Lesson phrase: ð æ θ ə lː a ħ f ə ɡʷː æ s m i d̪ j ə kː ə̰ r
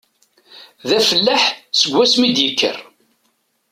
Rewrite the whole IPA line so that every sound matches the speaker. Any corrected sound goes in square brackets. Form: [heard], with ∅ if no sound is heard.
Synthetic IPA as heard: ð æ [f] ə lː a ħ [s] ə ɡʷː æ s m i d̪ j ə kː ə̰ r